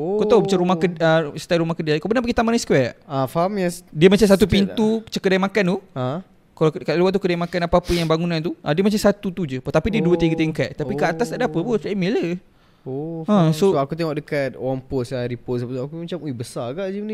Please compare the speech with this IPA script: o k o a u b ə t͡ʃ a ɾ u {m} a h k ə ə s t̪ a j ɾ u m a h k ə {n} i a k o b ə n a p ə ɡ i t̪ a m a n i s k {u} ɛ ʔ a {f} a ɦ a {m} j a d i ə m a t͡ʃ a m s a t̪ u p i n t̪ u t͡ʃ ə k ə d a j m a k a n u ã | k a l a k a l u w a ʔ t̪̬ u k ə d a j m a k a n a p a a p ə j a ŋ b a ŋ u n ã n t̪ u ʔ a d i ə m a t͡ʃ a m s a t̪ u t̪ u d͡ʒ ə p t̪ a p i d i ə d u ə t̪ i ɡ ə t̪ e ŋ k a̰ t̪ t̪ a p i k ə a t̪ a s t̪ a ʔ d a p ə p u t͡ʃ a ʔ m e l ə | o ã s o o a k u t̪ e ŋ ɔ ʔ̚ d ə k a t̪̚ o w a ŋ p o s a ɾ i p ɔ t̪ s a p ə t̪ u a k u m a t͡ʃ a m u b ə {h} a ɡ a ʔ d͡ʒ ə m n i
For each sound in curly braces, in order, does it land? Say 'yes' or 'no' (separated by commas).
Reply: yes, no, no, yes, yes, no